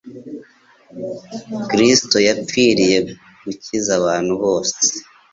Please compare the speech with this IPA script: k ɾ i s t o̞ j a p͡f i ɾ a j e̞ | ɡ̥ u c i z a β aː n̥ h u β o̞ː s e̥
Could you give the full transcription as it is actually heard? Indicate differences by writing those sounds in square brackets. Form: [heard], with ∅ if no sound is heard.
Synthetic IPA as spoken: k ɾ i s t o̞ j a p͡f i ɾ [i] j e̞ | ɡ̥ u c i z a β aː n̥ h u β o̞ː s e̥